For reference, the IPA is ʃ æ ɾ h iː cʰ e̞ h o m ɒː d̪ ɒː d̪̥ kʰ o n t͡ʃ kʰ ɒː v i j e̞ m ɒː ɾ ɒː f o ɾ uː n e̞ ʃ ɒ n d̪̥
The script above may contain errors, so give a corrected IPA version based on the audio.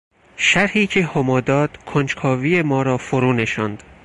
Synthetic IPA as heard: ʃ æ ɾ h iː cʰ e̞ h o m ɒː d̪ ɒː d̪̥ kʰ o n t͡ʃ kʰ ɒː v i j e̞ m ɒː ɾ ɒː f o ɾ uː n e̞ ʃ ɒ n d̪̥

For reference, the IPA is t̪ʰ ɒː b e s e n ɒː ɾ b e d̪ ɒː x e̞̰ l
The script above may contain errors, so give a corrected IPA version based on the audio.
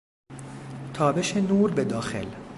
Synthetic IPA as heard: t̪ʰ ɒː b e ʃ e n uː ɾ b e d̪ ɒː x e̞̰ l

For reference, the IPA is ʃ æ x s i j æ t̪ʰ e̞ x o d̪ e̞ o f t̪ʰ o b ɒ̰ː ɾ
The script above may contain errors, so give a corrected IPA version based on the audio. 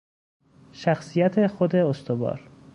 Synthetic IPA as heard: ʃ æ x s i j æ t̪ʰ e̞ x o d̪ e̞ o s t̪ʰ o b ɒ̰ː ɾ

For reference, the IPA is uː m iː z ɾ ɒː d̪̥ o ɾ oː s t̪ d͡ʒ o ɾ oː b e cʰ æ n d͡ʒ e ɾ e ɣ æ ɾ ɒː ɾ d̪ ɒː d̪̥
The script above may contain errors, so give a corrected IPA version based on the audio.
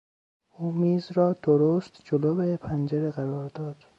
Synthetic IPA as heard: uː m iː z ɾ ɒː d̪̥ o ɾ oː s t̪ d͡ʒ o l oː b e pʰ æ n d͡ʒ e ɾ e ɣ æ ɾ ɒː ɾ d̪ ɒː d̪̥

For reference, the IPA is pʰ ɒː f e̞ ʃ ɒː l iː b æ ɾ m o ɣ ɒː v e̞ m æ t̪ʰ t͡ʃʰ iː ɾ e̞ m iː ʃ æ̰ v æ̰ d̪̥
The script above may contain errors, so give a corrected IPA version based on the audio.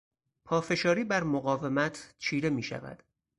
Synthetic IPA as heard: pʰ ɒː f e̞ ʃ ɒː ɾ iː b æ ɾ m o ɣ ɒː v e̞ m æ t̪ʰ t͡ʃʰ iː ɾ e̞ m iː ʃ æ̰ v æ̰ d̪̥

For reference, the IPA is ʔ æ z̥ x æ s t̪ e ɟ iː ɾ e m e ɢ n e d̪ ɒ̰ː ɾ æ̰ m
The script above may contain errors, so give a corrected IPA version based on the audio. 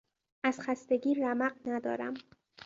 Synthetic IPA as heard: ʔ æ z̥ x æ s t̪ e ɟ iː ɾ æ m æ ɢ n æ d̪ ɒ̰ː ɾ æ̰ m

